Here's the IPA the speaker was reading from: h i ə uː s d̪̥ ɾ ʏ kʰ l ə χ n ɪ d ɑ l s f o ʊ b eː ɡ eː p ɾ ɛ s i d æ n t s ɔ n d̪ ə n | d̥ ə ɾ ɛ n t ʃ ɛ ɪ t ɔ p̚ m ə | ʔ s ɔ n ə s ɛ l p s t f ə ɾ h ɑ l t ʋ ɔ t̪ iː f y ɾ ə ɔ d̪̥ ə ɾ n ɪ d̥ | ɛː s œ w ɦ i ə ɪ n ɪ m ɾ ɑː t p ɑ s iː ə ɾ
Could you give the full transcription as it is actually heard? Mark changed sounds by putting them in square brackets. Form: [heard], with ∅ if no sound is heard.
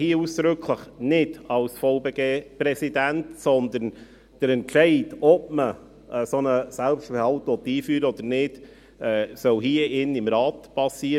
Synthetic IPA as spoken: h i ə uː s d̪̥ ɾ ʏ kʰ l ə χ n ɪ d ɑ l s f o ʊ b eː ɡ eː p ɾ ɛ s i d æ n t s ɔ n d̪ ə n | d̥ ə ɾ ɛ n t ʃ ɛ ɪ t ɔ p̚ m ə | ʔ s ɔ n ə s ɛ l p s t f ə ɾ h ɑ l t ʋ ɔ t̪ iː f [yː] ɾ ə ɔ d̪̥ ə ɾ n ɪ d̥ | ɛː s œ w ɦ i ə ɪ n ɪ m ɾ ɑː t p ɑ s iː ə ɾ